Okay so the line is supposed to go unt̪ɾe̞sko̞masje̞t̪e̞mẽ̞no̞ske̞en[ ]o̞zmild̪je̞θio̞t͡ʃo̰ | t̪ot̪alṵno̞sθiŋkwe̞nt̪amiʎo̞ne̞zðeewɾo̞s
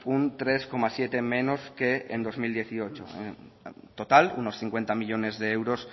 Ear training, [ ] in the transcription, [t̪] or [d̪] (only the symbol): d̪